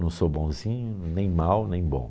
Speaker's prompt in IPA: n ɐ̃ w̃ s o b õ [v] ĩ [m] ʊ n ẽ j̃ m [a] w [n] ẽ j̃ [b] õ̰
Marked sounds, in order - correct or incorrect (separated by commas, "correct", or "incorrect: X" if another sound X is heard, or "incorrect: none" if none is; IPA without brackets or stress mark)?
incorrect: z, incorrect: ɲ, correct, correct, correct